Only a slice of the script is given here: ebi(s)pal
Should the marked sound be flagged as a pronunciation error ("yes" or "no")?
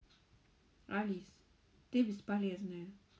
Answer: no